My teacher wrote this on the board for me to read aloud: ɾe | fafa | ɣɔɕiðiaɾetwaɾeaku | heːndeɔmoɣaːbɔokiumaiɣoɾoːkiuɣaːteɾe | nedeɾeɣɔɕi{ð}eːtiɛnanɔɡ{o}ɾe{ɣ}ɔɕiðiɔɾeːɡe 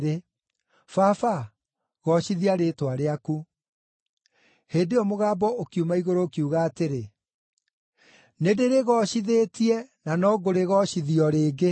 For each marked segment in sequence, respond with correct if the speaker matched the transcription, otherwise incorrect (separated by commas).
correct, correct, correct